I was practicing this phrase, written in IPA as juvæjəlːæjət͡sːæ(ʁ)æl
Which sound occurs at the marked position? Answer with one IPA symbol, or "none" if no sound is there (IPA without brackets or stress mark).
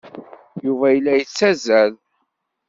z